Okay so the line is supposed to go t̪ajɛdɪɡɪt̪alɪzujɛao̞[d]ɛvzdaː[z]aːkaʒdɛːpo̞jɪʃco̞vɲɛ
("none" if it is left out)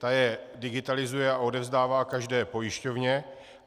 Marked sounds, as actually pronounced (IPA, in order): d, v

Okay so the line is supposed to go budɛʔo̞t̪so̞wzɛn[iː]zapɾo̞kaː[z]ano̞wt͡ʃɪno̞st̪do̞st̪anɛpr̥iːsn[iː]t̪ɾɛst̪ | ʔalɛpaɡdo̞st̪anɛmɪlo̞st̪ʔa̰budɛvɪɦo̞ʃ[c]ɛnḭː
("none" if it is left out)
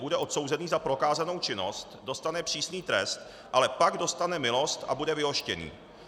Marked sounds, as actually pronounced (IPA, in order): iː, z, iː, c

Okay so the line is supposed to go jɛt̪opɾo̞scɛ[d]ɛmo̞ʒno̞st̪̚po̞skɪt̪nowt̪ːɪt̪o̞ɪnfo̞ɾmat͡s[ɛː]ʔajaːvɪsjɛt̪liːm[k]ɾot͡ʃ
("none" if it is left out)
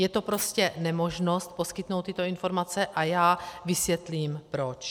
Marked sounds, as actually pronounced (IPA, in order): n, ɛ, p

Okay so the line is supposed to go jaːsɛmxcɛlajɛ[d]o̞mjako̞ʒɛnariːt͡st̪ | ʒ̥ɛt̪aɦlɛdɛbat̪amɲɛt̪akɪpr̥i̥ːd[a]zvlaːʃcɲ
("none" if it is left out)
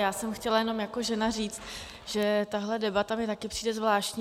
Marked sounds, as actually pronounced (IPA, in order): n, ɛ

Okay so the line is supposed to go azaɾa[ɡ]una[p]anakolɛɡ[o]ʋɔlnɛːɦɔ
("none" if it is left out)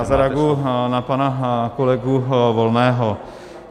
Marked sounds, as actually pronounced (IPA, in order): ɡ, p, u

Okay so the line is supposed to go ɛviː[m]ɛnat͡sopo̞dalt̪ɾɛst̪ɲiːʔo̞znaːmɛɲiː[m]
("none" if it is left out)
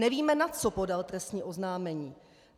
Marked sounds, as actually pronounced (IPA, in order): m, none

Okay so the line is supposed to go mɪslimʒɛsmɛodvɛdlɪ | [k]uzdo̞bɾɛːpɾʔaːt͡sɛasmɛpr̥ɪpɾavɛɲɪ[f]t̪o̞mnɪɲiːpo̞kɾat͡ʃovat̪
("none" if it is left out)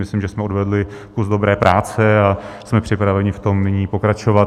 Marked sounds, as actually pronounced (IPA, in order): k, f

